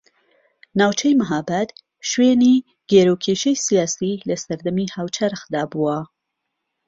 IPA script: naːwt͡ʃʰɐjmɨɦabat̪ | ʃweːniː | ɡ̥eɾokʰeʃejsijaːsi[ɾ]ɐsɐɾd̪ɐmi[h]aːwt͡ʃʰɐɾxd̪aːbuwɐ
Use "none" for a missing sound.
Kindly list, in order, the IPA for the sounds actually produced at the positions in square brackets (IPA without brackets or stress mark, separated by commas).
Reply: l, h